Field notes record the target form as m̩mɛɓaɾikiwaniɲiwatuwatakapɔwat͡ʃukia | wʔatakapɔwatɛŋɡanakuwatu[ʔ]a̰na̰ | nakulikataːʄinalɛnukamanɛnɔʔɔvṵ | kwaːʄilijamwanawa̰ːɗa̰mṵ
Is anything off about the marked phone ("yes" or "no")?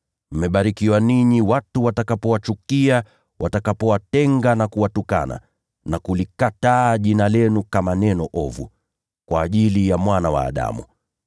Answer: yes